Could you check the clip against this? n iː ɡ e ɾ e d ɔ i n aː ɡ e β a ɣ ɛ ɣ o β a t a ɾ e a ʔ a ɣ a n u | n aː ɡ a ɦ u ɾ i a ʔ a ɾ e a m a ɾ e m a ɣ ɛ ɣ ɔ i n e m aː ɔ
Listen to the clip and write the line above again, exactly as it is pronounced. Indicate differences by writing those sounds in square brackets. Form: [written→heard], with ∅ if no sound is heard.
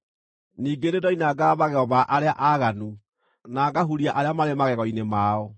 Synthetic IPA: n iː ɡ e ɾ e d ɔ i n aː ɡ [e→a] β a ɣ ɛ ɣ [o→ɔ] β a [t→ʔ] a ɾ e a ʔ a ɣ a n u | n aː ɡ a ɦ u ɾ i a ʔ a ɾ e a m a ɾ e m a ɣ ɛ ɣ ɔ i n e m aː ɔ